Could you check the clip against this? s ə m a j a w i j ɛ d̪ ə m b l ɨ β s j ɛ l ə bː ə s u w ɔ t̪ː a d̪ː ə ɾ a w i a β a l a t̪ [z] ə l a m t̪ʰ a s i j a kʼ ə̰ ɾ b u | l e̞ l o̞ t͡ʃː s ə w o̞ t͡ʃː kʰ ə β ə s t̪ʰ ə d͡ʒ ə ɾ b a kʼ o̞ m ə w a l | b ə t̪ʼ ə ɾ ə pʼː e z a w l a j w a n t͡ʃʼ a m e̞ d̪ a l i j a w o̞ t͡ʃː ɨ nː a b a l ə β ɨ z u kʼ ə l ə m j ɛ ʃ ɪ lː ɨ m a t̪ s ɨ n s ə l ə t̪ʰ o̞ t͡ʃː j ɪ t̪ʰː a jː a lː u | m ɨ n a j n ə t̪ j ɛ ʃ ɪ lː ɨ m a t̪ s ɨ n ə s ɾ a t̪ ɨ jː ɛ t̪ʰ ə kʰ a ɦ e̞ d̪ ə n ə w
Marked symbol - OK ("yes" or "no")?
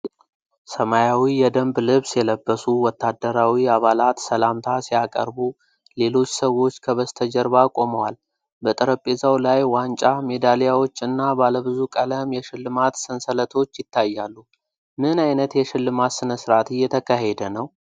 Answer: no